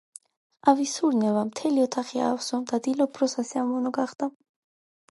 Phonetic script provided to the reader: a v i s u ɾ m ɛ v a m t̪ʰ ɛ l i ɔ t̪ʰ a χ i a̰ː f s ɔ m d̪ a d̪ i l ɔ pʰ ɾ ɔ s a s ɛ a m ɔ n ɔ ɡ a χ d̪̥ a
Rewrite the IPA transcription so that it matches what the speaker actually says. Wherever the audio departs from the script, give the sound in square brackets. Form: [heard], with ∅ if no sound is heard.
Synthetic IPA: a v i s u ɾ [n] ɛ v a m t̪ʰ ɛ l i ɔ t̪ʰ a χ i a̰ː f s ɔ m d̪ a d̪ i l ɔ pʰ ɾ ɔ s a s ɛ a m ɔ n ɔ ɡ a χ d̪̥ a